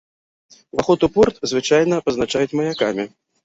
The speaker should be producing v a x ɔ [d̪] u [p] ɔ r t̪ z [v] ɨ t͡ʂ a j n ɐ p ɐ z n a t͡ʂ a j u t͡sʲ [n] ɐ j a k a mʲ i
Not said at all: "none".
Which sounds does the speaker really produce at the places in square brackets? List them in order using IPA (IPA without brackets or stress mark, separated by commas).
t̪, p, v, m